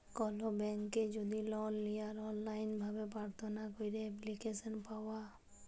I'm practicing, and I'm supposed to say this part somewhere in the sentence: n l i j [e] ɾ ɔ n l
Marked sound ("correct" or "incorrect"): incorrect